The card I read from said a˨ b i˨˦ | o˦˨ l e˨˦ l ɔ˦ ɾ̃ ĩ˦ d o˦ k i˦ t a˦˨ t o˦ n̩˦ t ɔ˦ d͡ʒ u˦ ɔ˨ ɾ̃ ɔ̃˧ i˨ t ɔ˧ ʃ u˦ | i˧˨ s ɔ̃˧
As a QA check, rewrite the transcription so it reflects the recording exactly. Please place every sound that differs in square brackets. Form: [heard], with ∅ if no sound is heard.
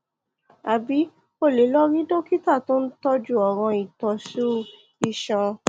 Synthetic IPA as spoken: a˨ b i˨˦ | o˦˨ l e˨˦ l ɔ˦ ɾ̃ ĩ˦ d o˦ k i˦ t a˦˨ t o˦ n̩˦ t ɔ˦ d͡ʒ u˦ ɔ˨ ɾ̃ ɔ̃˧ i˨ t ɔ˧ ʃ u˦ | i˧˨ [ʃ] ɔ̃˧

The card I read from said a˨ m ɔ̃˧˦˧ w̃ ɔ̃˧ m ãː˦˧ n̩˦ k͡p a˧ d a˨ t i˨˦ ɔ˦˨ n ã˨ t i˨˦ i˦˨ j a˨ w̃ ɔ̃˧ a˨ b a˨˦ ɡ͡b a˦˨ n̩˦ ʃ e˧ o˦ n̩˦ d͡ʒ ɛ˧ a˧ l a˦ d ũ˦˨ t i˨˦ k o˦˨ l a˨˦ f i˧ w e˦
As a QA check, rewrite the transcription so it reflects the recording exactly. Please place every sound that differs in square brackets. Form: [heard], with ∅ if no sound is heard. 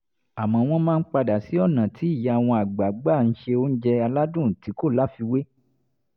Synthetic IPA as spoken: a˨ m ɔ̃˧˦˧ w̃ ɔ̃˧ m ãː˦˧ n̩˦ k͡p a˧ d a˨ [s] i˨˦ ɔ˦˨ n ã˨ t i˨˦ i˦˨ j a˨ w̃ ɔ̃˧ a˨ [ɡ͡b] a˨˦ ɡ͡b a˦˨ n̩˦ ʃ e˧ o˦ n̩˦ d͡ʒ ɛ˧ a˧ l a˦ d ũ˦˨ t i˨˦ k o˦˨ l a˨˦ f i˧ w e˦

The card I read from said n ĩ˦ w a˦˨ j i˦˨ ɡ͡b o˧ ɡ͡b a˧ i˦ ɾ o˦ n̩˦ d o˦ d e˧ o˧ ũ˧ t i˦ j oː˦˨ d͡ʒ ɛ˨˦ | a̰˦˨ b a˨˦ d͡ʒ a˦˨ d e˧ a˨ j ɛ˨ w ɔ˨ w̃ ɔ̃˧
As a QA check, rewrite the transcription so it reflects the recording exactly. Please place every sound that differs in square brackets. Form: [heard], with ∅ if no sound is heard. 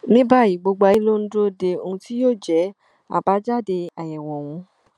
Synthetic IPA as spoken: n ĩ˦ [b] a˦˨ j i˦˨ ɡ͡b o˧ ɡ͡b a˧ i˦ [l] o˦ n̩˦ d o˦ d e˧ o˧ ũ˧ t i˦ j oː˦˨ d͡ʒ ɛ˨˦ | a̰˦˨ b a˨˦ d͡ʒ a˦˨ d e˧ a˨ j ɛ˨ w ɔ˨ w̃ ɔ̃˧

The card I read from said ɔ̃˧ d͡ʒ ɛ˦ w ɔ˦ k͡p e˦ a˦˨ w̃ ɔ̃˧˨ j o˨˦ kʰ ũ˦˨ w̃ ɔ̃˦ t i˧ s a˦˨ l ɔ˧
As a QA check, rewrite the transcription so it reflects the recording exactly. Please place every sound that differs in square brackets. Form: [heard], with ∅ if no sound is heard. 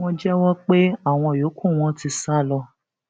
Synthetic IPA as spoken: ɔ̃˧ d͡ʒ ɛ˦ w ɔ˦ k͡p e˦ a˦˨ w̃ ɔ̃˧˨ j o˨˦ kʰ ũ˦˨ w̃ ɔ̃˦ t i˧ s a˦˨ l ɔ˧

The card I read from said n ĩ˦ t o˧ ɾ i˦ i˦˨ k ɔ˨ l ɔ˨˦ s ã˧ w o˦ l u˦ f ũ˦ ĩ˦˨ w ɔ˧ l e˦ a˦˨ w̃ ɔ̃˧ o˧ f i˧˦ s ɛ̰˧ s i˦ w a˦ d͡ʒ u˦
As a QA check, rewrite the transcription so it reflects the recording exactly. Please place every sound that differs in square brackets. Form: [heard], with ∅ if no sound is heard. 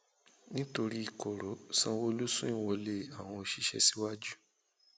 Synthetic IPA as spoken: n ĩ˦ t o˧ ɾ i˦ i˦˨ k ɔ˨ [ɾ] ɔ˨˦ s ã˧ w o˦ l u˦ [s] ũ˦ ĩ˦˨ w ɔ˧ l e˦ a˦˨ w̃ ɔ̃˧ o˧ [ʃ] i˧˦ [ʃ] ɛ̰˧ s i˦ w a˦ d͡ʒ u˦

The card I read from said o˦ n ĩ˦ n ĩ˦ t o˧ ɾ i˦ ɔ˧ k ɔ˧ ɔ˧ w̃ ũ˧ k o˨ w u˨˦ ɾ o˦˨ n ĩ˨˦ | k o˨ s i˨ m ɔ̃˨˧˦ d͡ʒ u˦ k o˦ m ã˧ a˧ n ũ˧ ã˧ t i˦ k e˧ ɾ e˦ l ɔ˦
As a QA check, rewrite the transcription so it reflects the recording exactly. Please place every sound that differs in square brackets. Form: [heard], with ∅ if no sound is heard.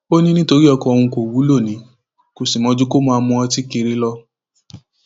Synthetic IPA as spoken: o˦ n ĩ˦ n ĩ˦ t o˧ ɾ i˦ ɔ˧ k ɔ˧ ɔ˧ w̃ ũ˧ k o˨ w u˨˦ [l] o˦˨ n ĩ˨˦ | k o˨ s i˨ m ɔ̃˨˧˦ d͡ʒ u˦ k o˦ m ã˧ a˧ [m] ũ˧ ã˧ t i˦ k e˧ ɾ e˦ l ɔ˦

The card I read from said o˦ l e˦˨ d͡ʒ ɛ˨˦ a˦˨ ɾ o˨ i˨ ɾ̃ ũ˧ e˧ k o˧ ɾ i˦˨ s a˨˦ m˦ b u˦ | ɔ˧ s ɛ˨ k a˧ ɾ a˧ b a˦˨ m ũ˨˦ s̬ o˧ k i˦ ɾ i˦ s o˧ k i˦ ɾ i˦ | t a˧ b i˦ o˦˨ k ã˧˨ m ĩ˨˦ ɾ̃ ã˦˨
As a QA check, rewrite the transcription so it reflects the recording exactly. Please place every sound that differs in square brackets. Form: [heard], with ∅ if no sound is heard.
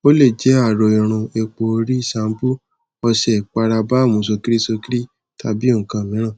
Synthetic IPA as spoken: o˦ l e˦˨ d͡ʒ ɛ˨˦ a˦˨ ɾ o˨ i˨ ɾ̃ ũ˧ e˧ [k͡p] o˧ ɾ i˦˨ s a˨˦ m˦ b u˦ | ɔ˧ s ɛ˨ [k͡p] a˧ ɾ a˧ b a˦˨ m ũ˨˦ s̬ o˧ k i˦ ɾ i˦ s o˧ k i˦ ɾ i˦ | t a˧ b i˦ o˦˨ k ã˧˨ m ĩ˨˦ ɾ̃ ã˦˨

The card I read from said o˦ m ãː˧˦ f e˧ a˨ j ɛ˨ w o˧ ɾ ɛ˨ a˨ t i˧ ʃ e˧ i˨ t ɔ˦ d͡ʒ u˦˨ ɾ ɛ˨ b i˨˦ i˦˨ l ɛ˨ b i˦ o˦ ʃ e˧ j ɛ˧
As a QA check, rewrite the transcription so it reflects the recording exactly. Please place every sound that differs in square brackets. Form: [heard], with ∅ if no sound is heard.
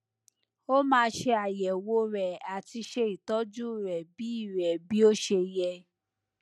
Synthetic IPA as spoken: o˦ m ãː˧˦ [ʃ] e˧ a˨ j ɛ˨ w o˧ ɾ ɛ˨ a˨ t i˧ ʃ e˧ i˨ t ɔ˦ d͡ʒ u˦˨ ɾ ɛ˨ b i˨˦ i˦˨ [ɾ] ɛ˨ b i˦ o˦ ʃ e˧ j ɛ˧

